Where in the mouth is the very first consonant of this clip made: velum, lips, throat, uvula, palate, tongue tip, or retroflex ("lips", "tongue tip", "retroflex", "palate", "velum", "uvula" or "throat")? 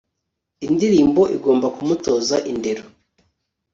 tongue tip